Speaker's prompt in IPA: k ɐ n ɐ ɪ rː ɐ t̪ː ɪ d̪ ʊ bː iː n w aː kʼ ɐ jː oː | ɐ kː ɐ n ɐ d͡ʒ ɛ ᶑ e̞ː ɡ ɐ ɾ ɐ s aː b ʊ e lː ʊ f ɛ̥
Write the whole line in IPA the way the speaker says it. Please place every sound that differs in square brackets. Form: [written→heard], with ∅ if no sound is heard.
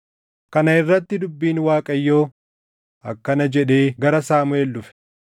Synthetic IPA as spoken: k ɐ n ɐ ɪ rː ɐ t̪ː ɪ d̪ ʊ bː iː n w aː kʼ ɐ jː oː | ɐ kː ɐ n ɐ d͡ʒ ɛ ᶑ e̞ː ɡ ɐ ɾ ɐ s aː [b→m] ʊ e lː ʊ f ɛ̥